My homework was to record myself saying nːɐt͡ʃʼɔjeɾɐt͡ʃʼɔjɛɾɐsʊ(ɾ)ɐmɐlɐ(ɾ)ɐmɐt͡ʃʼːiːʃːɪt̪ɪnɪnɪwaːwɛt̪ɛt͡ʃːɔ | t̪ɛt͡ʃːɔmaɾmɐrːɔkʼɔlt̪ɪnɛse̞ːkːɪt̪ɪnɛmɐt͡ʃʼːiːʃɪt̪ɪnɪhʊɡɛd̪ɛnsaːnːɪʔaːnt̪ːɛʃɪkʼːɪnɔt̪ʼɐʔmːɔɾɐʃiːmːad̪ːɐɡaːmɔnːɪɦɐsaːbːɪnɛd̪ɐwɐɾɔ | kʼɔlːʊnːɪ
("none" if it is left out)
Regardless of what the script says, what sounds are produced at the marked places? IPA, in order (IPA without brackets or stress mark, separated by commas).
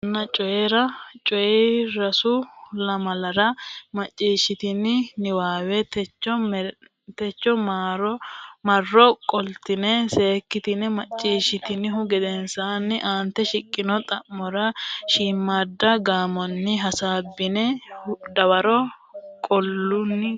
l, ɾ